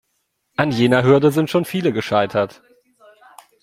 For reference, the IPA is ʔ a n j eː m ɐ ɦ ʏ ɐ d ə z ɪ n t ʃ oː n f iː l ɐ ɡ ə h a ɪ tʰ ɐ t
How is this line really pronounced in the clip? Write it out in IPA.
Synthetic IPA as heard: ʔ a n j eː n ɐ ɦ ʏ ɐ d ə z ɪ n t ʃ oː n f iː l ə ɡ ə ʃ a ɪ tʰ ɐ t